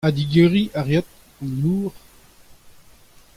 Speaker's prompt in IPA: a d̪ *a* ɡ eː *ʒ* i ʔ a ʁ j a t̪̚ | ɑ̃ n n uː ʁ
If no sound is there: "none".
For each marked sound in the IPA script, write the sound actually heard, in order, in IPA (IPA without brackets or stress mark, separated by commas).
i, ʁ